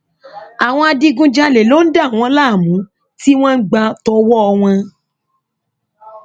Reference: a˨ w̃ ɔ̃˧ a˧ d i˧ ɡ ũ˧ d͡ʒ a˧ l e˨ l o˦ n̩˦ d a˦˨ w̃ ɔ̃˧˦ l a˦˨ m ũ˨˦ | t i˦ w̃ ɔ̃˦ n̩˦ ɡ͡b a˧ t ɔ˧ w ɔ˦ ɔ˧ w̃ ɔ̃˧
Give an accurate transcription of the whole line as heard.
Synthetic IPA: a˨ w̃ ɔ̃˧ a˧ d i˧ ɡ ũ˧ d͡ʒ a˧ l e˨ l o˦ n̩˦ d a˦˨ w̃ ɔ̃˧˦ l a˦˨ m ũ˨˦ | t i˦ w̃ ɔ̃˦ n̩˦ ɡ͡b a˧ t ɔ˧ w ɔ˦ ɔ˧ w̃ ɔ̃˧